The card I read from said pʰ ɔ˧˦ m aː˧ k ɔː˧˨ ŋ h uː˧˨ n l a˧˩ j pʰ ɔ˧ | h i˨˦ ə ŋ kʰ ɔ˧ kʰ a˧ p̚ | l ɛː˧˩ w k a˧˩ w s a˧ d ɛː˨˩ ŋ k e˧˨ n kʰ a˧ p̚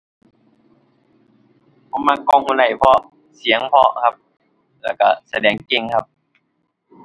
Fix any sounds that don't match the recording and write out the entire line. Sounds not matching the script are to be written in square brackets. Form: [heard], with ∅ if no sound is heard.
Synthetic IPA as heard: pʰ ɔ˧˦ m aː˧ k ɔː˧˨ ŋ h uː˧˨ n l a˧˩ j pʰ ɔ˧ | [s] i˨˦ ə ŋ [pʰ] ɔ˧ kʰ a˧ p̚ | l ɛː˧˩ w k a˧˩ [∅] s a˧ d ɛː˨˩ ŋ k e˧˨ [ŋ] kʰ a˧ p̚